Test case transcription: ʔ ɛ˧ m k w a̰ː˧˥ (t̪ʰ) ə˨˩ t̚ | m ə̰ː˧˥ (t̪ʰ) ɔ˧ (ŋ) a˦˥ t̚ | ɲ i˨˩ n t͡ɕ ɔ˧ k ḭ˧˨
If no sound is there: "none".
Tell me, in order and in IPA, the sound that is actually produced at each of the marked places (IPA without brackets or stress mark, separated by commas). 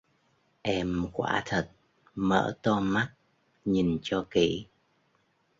t̪ʰ, t̪, m